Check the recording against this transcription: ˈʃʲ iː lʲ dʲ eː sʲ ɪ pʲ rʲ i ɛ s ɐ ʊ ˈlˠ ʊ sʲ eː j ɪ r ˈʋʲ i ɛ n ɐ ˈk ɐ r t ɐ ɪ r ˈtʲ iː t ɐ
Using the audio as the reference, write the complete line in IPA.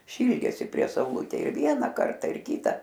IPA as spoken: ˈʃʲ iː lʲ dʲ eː sʲ ɪ pʲ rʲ i ɛ s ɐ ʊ ˈlˠ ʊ tʲ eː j ɪ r ˈʋʲ i ɛ n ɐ ˈk ɐ r t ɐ ɪ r ˈkʲ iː t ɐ